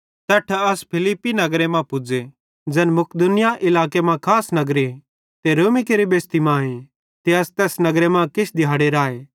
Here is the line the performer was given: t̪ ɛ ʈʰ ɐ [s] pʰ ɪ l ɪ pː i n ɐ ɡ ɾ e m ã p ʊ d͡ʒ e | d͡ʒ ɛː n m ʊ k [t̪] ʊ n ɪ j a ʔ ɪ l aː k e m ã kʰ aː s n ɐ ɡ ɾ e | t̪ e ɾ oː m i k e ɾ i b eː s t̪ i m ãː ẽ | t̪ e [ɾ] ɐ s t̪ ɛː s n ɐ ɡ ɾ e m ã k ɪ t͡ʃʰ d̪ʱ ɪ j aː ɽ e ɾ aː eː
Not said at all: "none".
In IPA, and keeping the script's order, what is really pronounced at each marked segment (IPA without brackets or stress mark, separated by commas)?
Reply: s, d̪, none